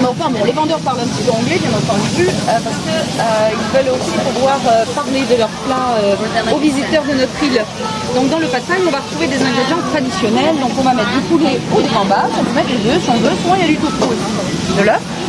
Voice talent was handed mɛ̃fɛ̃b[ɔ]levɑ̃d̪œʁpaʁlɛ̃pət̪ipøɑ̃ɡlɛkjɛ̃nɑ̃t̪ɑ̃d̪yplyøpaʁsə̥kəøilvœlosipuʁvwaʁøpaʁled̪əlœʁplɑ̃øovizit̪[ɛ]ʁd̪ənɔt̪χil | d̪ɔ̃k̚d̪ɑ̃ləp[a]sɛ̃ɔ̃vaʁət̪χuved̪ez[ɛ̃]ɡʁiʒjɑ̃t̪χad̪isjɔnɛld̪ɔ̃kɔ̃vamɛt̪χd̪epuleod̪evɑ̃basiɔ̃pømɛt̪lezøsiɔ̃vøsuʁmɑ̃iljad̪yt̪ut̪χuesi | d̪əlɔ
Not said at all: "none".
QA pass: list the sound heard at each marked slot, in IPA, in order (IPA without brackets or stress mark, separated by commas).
ɔ̃, œ, a, ɛ̃